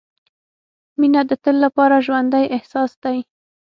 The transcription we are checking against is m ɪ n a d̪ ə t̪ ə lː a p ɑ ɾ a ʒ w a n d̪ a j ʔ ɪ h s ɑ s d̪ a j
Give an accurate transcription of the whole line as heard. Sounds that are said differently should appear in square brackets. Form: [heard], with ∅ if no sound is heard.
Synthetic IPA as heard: m [i] n a d̪ ə t̪ ə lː a p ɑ ɾ a ʒ w a n d̪ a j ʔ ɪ h s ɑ s d̪ a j